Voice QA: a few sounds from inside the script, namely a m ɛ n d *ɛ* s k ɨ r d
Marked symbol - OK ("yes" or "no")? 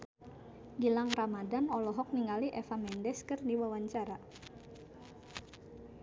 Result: yes